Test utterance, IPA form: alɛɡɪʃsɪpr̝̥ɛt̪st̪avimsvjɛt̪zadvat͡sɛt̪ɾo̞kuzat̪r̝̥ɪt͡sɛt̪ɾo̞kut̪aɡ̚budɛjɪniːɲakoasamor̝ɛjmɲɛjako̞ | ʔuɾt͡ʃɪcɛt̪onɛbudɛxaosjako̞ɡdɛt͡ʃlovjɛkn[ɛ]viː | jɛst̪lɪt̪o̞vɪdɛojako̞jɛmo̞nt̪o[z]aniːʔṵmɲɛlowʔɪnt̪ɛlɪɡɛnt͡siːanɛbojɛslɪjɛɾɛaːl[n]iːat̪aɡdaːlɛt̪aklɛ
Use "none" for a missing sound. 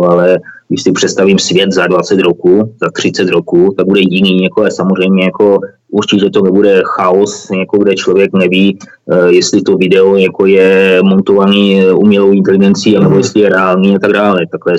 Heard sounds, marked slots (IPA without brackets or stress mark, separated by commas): ɛ, v, n